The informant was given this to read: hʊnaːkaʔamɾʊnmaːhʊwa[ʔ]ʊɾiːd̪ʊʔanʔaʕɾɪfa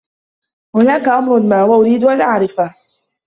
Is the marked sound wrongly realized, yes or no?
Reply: no